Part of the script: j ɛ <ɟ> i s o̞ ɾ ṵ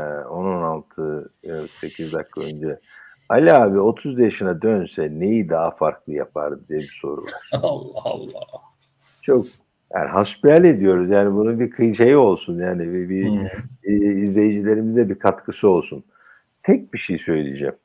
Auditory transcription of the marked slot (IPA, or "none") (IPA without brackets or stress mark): b